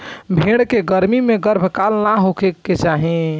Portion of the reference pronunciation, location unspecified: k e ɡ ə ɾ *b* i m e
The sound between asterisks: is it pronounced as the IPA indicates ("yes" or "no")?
no